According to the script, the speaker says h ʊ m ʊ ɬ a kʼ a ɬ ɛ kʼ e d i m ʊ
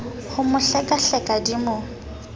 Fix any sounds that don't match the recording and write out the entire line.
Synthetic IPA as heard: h ʊ m ʊ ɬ ɛ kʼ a ɬ ɛ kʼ a d i m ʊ